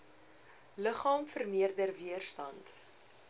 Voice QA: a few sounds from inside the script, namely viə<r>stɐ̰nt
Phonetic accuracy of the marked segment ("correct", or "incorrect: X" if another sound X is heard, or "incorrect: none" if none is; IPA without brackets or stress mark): correct